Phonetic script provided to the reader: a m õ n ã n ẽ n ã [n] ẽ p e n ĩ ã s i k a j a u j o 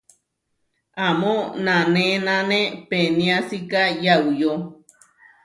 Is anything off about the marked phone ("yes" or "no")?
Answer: no